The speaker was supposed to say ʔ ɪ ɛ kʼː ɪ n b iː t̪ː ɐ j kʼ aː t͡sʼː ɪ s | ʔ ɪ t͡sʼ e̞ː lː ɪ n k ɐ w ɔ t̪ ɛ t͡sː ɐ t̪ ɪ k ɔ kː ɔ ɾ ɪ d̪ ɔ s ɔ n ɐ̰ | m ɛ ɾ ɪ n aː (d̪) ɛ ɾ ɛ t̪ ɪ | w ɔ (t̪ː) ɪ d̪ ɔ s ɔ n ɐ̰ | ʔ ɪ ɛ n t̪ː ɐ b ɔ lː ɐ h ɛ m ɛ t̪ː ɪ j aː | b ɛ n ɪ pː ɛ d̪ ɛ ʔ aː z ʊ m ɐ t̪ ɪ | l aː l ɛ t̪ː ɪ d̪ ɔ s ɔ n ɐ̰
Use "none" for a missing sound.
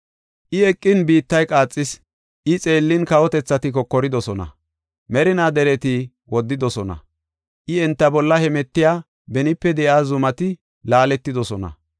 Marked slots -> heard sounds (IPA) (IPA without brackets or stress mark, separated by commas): d̪, d̪ː